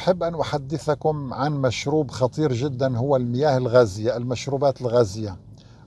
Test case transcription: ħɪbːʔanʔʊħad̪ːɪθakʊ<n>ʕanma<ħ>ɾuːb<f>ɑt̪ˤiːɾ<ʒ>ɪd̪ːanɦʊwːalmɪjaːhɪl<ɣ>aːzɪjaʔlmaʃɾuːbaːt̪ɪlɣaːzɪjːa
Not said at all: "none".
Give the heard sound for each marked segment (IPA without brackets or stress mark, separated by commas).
m, ʃ, x, ʒ, ɣ